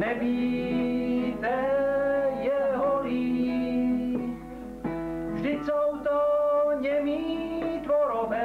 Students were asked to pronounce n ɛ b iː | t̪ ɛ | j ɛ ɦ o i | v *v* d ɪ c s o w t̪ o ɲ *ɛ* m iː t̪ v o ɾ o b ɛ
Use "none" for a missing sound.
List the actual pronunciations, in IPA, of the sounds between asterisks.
ʒ, ɛ

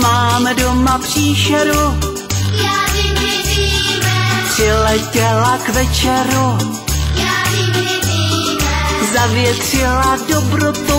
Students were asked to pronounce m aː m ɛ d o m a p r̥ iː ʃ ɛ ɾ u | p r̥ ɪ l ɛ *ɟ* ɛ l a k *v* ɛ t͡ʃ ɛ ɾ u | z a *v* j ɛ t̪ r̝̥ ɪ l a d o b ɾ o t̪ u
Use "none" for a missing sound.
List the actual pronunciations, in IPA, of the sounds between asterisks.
c, v, v

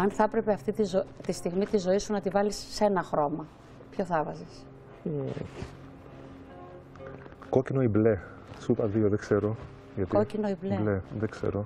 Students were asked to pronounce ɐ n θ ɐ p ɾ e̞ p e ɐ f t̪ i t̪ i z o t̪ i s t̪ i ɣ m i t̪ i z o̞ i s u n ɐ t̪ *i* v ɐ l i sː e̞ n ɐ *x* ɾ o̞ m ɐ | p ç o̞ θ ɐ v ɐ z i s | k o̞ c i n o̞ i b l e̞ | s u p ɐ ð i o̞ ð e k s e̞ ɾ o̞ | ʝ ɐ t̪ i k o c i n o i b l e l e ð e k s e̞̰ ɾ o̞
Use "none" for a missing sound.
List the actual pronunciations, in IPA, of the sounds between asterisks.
i, x

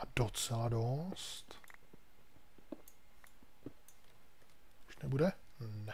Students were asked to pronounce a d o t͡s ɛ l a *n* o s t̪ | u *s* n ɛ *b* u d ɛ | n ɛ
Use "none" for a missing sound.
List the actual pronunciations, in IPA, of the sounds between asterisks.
d, ʃ, b

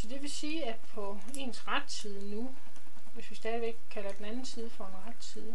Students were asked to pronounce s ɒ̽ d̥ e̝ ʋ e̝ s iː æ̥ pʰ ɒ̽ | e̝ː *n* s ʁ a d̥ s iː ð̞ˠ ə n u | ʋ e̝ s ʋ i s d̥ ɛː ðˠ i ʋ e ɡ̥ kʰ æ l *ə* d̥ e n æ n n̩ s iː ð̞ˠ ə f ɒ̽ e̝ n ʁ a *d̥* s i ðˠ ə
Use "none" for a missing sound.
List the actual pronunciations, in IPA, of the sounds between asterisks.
n, ɐ, d̥

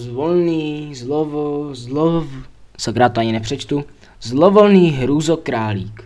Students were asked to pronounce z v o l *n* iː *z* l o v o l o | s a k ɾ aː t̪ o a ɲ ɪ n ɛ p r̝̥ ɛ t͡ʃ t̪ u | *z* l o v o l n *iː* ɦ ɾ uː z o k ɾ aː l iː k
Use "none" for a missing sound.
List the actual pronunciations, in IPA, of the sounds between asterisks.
n, z, z, iː

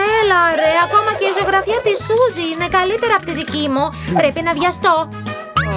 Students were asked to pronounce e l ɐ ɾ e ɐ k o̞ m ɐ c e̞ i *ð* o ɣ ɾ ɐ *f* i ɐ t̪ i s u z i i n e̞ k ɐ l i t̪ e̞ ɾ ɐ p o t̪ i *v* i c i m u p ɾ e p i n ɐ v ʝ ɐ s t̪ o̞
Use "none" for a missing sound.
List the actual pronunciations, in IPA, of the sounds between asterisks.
z, f, ð

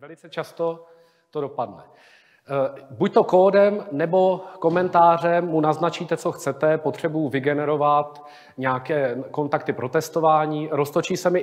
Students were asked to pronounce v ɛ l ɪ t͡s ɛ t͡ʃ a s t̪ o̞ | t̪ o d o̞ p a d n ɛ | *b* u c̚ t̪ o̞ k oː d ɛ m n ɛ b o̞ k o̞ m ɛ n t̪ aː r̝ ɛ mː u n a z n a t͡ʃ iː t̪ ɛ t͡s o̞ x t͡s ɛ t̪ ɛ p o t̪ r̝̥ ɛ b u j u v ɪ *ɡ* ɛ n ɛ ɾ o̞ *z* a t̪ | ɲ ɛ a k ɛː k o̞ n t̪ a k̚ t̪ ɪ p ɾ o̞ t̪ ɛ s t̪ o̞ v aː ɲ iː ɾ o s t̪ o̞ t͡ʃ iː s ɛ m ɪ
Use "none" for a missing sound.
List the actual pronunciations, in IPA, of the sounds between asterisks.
b, ɡ, v

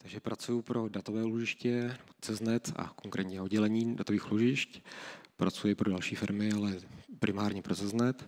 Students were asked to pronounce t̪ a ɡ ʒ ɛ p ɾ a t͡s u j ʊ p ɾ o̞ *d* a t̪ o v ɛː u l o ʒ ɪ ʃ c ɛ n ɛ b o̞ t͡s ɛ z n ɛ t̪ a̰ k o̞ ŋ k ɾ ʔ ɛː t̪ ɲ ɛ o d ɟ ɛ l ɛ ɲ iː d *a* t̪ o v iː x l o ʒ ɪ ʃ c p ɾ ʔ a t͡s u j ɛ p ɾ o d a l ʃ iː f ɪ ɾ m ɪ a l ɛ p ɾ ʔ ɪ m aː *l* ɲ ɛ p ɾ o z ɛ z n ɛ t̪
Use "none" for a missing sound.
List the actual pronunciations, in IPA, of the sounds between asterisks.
d, a, ɾ

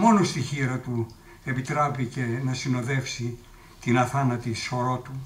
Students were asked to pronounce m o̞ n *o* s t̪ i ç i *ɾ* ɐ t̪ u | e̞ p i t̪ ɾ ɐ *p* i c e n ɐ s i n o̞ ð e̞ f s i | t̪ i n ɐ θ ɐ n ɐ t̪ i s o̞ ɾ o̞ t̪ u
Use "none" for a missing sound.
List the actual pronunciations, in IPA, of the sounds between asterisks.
o, ɾ, p

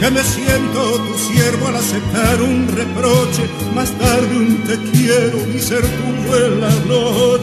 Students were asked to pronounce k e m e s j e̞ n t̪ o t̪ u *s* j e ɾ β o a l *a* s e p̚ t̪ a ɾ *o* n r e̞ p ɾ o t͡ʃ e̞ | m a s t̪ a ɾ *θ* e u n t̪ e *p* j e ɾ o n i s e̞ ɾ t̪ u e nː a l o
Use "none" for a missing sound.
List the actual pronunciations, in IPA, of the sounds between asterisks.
s, a, u, ð, k

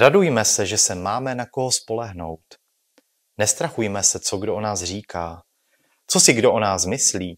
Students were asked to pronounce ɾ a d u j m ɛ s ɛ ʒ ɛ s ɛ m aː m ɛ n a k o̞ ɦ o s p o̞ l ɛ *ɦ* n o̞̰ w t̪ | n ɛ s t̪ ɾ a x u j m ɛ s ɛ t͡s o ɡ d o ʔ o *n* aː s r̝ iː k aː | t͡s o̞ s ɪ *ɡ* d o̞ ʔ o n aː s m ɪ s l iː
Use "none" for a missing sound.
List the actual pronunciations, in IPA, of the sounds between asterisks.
ɦ, n, ɡ

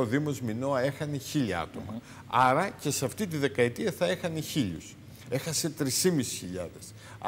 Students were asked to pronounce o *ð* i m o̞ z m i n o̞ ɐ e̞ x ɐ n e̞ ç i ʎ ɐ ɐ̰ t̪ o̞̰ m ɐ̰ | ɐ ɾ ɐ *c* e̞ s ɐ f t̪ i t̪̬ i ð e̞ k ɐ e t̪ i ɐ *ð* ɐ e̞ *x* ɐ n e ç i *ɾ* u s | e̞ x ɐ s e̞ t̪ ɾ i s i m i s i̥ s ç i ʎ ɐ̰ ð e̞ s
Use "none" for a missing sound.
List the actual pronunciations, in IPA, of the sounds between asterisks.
ð, c, θ, x, ʎ

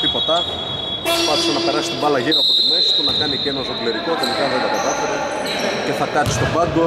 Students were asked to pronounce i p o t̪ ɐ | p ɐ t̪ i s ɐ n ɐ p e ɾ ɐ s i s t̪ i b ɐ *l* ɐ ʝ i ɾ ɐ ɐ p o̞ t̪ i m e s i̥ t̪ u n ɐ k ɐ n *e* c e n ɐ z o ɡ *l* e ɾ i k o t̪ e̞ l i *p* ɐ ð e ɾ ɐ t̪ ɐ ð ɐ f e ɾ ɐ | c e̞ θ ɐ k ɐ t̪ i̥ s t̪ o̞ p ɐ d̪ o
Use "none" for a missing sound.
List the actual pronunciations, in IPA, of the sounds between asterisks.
l, i, l, k

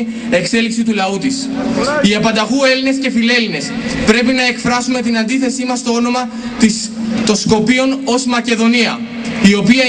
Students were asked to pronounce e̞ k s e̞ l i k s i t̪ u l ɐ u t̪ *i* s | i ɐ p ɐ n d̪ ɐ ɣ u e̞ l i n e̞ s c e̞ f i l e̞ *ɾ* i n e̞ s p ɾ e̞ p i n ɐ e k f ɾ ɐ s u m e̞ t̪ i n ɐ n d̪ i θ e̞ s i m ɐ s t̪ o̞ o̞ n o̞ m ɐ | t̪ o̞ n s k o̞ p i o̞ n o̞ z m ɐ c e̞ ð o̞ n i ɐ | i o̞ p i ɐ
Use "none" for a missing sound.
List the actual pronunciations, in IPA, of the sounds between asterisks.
i, l

